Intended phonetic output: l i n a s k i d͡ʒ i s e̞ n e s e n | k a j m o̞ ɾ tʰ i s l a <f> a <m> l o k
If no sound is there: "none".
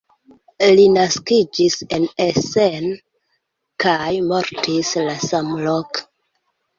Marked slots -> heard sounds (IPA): s, m

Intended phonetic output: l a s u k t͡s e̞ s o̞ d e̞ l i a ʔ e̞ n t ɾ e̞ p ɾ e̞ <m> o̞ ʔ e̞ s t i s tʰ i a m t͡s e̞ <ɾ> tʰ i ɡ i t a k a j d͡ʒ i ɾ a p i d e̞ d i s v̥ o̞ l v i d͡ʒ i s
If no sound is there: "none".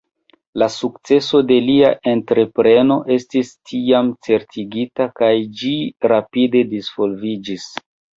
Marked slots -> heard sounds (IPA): n, ɾ

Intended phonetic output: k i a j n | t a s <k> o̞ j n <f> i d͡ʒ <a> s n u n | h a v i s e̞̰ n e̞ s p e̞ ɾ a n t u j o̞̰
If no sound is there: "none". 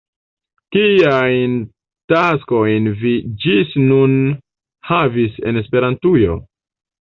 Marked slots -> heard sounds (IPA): k, v, i

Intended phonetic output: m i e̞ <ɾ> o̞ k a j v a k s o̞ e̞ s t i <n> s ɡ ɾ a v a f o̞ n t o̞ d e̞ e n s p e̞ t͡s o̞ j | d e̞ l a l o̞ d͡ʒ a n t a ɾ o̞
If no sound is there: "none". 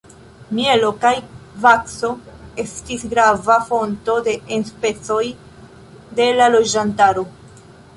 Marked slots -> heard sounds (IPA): l, none

